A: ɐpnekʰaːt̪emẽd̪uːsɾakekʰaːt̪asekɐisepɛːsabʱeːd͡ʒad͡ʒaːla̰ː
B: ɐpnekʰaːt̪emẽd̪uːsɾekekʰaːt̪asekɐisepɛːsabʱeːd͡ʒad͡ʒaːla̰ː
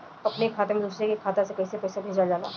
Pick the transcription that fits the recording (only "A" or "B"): B